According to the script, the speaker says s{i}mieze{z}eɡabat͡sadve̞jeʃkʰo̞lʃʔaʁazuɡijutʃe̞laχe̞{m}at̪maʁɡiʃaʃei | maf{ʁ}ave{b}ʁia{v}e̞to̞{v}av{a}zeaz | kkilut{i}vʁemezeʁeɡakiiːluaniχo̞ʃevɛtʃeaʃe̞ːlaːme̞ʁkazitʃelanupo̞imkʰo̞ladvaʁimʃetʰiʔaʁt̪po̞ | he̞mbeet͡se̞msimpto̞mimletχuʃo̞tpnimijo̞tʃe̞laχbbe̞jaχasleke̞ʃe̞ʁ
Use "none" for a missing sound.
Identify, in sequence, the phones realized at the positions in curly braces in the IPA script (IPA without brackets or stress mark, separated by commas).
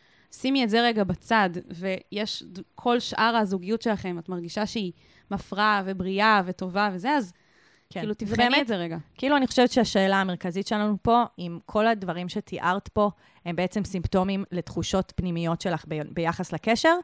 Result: i, ʁ, m, ʁ, b, v, v, e, i